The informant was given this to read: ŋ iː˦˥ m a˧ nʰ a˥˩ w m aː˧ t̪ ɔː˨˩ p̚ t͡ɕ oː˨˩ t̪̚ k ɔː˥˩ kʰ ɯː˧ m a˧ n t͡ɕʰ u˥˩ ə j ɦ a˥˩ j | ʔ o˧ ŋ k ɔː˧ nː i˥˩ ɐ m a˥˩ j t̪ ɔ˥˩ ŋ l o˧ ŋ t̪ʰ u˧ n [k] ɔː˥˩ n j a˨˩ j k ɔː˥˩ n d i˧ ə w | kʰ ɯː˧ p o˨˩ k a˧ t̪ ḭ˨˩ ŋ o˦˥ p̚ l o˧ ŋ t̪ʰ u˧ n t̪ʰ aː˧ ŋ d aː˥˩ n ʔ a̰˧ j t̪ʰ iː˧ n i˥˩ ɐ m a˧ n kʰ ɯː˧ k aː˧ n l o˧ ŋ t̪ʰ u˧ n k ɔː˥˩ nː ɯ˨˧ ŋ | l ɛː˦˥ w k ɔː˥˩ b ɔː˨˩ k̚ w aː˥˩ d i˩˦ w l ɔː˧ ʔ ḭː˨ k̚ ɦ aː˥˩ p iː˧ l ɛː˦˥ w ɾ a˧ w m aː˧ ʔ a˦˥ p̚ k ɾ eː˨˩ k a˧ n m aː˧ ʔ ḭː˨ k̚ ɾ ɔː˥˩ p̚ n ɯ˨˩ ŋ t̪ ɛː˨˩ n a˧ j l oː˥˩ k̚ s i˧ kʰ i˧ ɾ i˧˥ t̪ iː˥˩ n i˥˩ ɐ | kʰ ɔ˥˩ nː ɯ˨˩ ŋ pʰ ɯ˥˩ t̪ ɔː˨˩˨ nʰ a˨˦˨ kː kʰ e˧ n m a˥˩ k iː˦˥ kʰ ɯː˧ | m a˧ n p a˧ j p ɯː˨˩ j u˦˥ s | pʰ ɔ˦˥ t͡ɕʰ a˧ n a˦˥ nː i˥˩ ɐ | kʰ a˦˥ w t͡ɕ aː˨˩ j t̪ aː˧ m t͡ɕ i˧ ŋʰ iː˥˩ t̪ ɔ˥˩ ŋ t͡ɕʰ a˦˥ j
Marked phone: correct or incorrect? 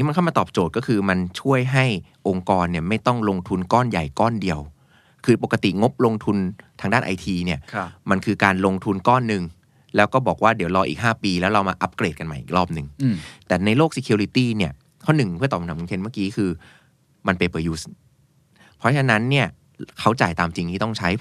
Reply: correct